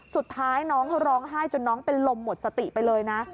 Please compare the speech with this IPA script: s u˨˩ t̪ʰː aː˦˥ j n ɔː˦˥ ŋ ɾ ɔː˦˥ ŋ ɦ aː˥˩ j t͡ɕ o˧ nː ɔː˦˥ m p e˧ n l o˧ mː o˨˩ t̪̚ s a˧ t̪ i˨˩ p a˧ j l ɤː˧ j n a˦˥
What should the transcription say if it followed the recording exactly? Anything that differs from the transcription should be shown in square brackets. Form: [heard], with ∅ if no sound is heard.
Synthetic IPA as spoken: s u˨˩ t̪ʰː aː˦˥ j n ɔː˦˥ ŋ ɾ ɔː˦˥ ŋ ɦ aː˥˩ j t͡ɕ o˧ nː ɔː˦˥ [ŋ] p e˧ n l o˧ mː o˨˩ t̪̚ s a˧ t̪ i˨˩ p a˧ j l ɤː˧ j n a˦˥